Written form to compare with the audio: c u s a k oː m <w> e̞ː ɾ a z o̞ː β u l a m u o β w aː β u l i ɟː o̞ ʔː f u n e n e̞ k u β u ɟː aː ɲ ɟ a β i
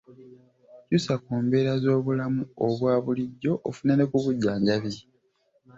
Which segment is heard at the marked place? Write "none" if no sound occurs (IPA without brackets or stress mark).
b